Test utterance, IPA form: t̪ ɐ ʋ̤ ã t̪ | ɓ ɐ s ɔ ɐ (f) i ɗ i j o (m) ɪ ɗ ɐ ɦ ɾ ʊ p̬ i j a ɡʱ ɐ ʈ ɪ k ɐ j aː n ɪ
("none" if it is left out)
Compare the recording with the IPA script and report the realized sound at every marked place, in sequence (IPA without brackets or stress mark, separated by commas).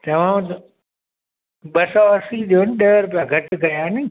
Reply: s, n